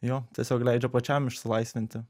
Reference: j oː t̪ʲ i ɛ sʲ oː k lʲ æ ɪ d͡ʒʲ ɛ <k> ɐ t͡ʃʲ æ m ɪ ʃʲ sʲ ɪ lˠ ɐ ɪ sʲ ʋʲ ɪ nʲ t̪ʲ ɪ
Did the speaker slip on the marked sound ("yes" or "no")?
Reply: yes